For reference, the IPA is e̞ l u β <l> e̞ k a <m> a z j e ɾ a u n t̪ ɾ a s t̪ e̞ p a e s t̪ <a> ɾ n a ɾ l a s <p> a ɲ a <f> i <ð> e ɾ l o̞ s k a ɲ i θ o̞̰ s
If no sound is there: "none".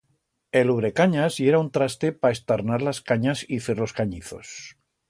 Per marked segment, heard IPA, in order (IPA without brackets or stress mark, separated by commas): ɾ, ɲ, a, k, s, θ